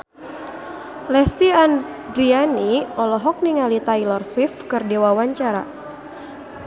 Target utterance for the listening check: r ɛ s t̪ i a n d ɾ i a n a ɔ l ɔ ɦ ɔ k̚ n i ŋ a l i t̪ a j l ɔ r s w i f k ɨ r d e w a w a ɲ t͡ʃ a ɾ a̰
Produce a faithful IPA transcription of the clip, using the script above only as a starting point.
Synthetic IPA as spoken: l ɛ s t̪ i a n d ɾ i a n i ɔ l ɔ ɦ ɔ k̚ n i ŋ a l i t̪ a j l ɔ r s w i f k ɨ r d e w a w a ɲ t͡ʃ a ɾ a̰